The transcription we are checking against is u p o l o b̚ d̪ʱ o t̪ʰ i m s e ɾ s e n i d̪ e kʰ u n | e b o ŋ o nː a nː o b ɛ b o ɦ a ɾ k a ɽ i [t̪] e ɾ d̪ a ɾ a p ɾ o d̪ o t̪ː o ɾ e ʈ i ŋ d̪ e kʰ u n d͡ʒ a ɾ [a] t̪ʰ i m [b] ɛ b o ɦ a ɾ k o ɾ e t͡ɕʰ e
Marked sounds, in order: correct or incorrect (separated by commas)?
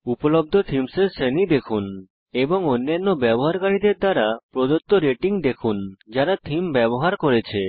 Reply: incorrect, correct, correct